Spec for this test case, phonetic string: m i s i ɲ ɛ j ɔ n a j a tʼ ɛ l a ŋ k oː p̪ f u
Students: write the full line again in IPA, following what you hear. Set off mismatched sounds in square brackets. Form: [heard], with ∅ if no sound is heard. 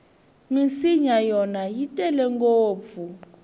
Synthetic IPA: m i s i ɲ [a] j ɔ n a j [i] tʼ ɛ l [ɛ] ŋ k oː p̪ f u